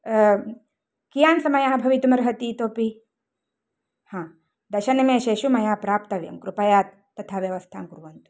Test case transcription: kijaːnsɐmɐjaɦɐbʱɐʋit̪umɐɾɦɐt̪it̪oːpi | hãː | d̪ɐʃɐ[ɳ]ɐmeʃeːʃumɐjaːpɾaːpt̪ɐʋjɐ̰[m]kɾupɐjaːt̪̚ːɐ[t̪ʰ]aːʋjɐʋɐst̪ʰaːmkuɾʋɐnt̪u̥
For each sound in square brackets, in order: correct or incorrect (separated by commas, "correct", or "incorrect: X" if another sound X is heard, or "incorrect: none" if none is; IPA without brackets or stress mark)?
incorrect: n, correct, correct